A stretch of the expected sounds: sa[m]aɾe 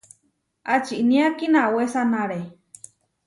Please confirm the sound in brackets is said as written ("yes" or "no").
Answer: no